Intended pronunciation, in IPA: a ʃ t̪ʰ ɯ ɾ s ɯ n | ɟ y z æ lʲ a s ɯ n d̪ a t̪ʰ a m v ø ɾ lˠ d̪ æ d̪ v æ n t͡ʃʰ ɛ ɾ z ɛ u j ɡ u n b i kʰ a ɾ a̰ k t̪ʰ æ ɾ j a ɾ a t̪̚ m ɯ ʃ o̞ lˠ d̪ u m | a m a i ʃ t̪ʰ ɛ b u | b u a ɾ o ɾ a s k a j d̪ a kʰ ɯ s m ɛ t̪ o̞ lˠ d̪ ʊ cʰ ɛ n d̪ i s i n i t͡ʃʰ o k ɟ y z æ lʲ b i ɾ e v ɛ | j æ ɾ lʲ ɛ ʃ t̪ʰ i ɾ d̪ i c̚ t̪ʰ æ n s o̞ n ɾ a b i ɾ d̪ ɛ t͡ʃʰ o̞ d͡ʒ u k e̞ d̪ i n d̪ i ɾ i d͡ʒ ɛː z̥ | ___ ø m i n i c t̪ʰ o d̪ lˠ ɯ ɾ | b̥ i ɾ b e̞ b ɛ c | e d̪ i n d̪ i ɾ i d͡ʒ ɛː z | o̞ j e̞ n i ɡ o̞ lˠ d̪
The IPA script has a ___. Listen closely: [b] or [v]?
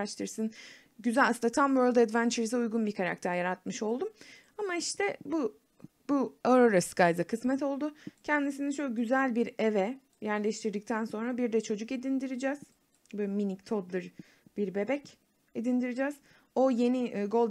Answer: b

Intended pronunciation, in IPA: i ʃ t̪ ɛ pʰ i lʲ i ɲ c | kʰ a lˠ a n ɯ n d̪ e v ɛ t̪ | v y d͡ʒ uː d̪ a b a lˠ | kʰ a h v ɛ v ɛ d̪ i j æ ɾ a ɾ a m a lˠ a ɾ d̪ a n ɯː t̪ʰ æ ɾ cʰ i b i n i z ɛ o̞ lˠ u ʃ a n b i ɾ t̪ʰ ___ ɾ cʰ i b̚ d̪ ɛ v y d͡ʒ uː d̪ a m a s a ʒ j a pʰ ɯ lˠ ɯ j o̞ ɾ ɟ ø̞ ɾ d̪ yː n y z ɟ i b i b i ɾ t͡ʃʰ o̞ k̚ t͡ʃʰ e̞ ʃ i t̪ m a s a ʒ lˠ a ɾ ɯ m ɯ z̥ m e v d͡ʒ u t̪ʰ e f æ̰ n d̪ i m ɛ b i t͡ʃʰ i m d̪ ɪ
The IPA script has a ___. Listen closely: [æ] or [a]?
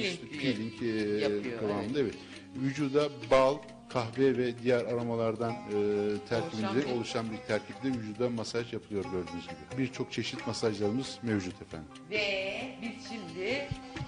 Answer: æ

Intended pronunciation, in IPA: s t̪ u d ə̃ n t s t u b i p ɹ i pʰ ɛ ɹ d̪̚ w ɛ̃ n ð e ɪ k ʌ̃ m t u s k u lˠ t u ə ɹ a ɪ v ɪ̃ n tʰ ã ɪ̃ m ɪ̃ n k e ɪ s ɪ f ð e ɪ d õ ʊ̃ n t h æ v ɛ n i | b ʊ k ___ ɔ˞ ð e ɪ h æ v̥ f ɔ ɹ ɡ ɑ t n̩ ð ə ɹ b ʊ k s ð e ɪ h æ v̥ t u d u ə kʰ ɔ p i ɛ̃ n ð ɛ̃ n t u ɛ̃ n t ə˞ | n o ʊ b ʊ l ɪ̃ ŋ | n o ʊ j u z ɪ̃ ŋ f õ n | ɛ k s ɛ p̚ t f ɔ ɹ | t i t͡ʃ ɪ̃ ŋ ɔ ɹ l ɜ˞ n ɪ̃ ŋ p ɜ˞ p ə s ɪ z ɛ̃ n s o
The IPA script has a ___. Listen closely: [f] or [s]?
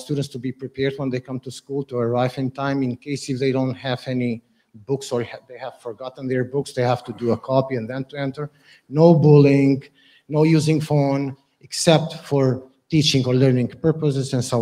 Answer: s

